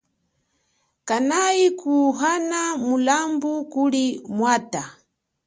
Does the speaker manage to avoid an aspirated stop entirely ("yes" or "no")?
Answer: yes